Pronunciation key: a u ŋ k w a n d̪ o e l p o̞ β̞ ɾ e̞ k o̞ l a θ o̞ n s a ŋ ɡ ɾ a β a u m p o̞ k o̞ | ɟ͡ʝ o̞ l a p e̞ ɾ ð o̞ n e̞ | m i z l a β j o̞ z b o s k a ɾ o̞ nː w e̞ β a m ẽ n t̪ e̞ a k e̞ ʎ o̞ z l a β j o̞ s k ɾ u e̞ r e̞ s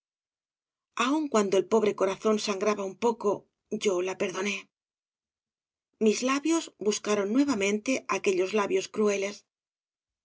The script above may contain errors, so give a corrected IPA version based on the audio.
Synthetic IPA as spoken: a u ŋ k w a n d̪ o e l p o̞ β̞ ɾ e̞ k o̞ ɾ a θ o̞ n s a ŋ ɡ ɾ a β a u m p o̞ k o̞ | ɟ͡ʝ o̞ l a p e̞ ɾ ð o̞ n e̞ | m i z l a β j o̞ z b u s k a ɾ o̞ nː w e̞ β a m ẽ n t̪ e̞ a k e̞ ʎ o̞ z l a β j o̞ s k ɾ u e̞ l e̞ s